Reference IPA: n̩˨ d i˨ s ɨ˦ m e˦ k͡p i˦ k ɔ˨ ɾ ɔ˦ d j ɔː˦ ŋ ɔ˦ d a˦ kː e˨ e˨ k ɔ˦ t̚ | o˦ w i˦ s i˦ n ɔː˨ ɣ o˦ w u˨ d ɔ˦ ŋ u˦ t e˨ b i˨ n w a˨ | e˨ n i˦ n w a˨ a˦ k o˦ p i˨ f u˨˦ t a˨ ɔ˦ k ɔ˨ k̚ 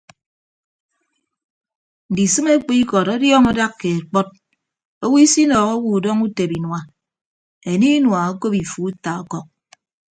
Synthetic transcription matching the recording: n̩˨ d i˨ s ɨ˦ m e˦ k͡p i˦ k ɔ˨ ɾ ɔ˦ d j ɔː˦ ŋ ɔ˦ d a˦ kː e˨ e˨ k͡p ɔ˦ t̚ | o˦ w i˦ s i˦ n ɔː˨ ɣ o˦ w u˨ d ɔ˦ ŋ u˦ t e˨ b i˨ n w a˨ | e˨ n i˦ n w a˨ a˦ k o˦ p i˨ f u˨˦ t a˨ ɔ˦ k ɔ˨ k̚

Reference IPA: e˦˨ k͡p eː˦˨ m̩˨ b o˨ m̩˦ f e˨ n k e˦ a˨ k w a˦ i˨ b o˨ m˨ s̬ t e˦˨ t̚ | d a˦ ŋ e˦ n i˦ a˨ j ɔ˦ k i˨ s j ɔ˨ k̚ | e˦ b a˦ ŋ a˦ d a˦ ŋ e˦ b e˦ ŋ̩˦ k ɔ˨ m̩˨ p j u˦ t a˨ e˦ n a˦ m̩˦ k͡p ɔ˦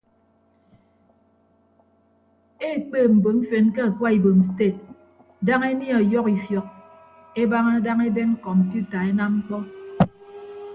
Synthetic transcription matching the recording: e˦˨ k͡p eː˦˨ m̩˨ b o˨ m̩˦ f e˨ n k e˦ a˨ k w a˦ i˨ b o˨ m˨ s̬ t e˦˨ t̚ | d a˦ ŋ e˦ n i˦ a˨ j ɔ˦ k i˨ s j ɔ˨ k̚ | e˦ b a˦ ŋ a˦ d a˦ ŋ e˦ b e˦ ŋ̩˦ k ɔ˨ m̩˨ p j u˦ t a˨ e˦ n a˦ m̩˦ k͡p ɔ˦

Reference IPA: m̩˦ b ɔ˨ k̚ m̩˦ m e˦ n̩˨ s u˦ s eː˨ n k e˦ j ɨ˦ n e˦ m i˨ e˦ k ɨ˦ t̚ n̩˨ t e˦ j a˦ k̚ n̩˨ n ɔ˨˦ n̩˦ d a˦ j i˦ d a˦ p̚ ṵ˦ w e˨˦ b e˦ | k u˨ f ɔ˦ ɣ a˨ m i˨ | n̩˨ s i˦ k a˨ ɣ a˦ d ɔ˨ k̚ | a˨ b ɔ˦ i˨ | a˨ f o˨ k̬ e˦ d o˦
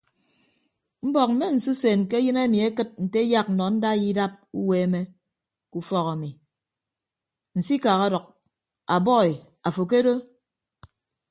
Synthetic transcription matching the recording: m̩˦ b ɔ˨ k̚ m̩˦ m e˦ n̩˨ s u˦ s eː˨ n k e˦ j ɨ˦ n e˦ m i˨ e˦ k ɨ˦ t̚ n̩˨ t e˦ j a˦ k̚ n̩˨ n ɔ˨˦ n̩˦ d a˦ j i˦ d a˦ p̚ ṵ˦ w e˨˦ m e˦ | k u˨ f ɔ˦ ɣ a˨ m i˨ | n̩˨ s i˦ k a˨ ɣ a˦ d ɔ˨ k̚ | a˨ b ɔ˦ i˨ | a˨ f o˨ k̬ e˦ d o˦

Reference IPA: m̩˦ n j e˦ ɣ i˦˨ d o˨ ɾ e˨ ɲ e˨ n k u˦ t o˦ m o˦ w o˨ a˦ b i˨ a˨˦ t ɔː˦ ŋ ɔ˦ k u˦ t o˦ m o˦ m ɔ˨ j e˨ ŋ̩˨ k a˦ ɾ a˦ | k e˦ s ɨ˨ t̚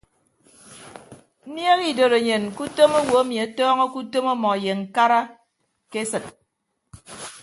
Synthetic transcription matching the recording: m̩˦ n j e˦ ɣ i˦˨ d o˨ ɾ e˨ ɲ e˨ n k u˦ t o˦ m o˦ w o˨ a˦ m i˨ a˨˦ t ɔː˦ ŋ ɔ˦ k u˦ t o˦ m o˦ m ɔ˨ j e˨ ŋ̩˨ k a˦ ɾ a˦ | k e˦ s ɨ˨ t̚

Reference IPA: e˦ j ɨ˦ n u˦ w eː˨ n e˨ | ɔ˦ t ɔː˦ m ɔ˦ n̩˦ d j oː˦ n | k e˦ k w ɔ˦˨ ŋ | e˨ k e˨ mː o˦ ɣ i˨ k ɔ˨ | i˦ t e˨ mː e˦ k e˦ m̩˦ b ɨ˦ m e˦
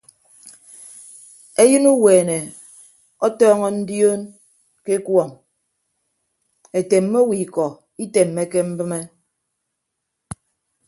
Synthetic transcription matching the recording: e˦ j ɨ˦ n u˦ w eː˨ n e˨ | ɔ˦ t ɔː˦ ŋ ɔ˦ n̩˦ d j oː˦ n | k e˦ k w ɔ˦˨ ŋ | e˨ t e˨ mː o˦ w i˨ k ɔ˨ | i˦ t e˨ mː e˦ k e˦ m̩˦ b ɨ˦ m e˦

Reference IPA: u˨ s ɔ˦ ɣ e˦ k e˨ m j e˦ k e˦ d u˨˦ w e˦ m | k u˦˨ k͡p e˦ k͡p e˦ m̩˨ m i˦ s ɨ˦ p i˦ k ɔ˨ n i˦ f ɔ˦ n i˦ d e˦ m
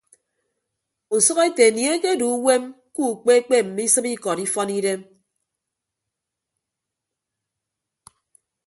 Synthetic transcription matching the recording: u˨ s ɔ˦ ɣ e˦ t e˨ n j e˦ k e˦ d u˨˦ w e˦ m | k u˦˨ k͡p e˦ k͡p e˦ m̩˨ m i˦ s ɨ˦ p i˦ k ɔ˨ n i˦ f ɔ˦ n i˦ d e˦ m

